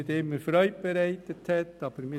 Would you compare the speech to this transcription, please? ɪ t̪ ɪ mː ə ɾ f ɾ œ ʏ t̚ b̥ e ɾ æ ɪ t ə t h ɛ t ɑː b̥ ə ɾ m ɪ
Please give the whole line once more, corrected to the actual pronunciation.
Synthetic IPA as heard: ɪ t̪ ɪ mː ə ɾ f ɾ œ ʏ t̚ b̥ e ɾ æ ɪ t ə t h ɛ t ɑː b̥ ə ɾ m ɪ